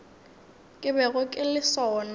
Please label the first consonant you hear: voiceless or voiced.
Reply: voiceless